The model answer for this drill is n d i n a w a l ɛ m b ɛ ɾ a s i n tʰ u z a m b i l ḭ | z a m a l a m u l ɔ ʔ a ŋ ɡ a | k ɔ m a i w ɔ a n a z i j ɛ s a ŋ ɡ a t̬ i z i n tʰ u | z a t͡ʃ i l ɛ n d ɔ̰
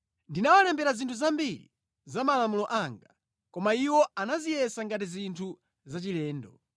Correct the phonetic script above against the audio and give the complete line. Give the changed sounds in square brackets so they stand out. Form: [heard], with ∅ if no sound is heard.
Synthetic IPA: n d i n a w a l ɛ m b ɛ ɾ a [z] i n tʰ u z a m b i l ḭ | z a m a l a m u l ɔ ʔ a ŋ ɡ a | k ɔ m a i w ɔ a n a z i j ɛ s a ŋ ɡ a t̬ i z i n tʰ u | z a t͡ʃ i l [ɛː] n d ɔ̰